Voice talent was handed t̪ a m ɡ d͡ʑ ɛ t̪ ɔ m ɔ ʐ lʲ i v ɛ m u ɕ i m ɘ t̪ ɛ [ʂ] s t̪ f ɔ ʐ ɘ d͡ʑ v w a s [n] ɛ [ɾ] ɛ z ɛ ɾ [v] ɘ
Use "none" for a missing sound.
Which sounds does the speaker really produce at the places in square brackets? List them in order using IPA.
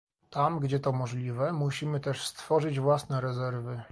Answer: ʂ, n, ɾ, v

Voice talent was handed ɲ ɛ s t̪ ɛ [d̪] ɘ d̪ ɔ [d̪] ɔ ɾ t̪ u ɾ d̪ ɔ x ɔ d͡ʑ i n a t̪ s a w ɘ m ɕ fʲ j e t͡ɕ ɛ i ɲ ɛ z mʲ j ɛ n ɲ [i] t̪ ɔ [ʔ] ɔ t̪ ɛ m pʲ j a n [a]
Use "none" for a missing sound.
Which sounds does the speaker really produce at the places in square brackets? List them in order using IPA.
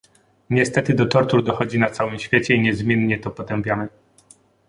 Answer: t̪, t̪, ɛ, p, ɛ

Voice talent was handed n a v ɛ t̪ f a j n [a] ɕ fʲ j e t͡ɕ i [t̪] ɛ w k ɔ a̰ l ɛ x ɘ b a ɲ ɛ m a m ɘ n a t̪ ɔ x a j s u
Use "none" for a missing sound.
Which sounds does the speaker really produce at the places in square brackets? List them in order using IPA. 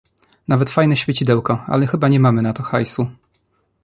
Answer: ɛ, d̪

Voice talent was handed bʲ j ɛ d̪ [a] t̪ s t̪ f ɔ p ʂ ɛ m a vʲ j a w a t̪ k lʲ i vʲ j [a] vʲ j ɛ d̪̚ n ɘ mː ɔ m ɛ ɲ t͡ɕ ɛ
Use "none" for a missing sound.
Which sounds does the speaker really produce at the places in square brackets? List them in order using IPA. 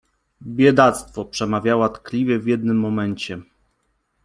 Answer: a, ɛ

